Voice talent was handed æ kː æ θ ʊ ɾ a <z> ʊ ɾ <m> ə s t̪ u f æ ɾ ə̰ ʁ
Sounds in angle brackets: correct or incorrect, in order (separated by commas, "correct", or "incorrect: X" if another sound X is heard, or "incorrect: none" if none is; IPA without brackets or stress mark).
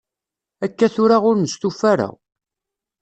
incorrect: ʁ, incorrect: n